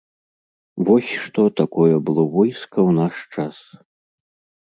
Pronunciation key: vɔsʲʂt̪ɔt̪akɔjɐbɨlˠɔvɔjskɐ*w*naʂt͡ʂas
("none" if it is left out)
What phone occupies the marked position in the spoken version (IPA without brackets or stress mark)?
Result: w